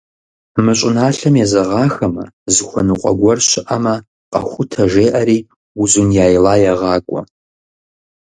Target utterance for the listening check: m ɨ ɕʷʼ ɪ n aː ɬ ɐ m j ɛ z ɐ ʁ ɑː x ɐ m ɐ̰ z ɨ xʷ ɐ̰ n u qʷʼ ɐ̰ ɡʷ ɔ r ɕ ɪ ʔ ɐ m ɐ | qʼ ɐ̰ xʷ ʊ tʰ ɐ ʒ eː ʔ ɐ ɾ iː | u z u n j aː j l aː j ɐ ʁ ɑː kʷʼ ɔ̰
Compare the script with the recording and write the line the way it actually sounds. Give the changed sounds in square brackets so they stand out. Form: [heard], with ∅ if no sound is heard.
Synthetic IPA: m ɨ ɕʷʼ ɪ n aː ɬ ɐ m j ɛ z ɐ ʁ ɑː x ɐ m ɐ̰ z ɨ xʷ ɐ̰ n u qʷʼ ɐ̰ ɡʷ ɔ r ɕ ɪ ʔ ɐ m ɐ | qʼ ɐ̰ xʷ ʊ tʰ ɐ ʒ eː ʔ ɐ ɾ iː | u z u n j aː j l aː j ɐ ʁ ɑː kʷʼ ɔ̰